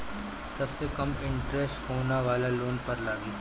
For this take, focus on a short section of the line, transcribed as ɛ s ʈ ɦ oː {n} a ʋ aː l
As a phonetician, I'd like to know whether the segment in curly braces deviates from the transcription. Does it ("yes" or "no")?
no